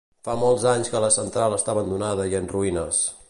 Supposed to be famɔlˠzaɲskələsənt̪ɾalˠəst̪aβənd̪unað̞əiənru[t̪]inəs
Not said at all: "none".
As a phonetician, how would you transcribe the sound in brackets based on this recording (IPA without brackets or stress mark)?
none